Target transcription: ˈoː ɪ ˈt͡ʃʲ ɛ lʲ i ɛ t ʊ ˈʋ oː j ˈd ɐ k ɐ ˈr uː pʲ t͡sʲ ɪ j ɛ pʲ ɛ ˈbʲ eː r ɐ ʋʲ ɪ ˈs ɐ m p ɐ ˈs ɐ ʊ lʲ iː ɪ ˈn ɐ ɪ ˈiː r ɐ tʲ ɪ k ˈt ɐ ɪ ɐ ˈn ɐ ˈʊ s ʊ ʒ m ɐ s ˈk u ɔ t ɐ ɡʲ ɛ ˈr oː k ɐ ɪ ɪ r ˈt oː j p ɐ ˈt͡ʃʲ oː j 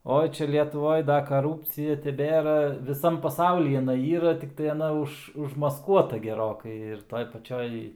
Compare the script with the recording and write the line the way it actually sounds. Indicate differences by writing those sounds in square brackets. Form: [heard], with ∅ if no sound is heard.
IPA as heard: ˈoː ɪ ˈt͡ʃʲ ɛ lʲ i ɛ t ʊ ˈʋ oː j ˈd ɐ k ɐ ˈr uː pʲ t͡sʲ ɪ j ɛ [tʲ] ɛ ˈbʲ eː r ɐ ʋʲ ɪ ˈs ɐ m p ɐ ˈs ɐ ʊ lʲ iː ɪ ˈn ɐ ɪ ˈiː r ɐ tʲ ɪ k ˈt ɐ ɪ ɐ ˈn ɐ ˈʊ [ʃ] ʊ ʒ m ɐ s ˈk u ɔ t ɐ ɡʲ ɛ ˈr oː k ɐ ɪ ɪ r ˈt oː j p ɐ ˈt͡ʃʲ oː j